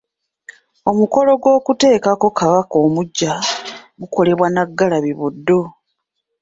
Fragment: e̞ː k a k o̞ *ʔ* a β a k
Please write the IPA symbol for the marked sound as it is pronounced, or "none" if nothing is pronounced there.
k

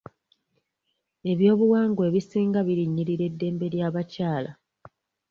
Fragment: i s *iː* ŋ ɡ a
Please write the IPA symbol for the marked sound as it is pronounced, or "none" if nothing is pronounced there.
iː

